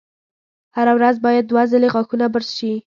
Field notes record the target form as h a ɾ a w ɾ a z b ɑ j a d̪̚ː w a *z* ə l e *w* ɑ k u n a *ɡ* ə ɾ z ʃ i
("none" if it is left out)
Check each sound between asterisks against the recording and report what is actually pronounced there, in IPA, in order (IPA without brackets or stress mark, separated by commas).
z, ɣ, b